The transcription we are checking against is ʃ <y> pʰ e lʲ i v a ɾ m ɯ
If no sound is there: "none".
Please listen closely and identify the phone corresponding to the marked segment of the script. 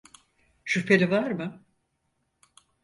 y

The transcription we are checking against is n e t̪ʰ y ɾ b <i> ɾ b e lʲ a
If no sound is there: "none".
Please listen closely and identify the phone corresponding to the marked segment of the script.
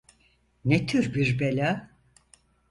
i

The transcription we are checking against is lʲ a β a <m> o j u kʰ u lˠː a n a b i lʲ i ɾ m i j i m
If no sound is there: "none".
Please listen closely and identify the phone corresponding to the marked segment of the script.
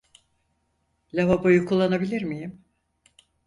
b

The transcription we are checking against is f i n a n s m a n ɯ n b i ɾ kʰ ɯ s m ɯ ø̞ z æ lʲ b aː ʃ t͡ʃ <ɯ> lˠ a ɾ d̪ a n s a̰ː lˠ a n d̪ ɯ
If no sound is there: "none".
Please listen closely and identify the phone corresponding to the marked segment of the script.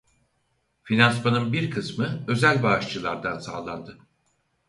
ɯ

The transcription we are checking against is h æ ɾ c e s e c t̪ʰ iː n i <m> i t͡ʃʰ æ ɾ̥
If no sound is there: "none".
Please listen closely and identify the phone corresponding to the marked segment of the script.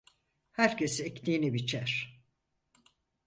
b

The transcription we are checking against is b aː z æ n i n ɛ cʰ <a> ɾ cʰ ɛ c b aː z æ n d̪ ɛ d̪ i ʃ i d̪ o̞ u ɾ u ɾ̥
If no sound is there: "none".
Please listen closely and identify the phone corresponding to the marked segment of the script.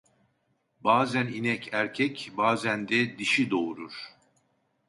æ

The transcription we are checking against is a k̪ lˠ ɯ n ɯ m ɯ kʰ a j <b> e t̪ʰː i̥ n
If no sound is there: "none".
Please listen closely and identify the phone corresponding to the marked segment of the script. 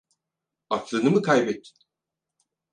b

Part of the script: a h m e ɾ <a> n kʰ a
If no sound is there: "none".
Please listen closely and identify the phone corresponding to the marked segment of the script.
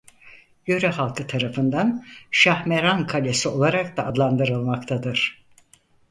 a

